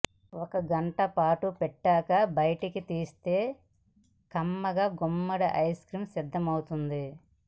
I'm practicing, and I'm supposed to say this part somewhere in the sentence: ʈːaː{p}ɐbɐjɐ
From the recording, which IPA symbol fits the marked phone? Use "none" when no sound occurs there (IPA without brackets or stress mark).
k